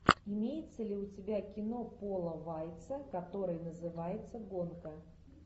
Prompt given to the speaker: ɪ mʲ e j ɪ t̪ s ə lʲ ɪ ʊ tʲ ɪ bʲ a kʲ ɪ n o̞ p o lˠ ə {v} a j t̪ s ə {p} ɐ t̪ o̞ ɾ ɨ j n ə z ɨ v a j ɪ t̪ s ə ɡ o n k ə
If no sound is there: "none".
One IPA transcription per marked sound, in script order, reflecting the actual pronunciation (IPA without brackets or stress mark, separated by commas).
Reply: v, k